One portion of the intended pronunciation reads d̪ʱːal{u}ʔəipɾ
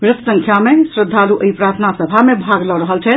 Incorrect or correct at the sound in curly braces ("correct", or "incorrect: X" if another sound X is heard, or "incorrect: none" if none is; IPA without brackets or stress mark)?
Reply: correct